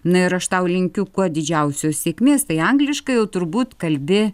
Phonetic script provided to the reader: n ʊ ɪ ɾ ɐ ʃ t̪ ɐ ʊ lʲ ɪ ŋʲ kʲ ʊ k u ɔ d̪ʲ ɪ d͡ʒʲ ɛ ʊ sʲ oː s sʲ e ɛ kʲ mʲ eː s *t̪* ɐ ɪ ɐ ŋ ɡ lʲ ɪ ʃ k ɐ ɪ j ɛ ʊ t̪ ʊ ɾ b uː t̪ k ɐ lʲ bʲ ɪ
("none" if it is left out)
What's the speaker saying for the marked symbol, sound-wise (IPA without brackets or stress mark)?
t̪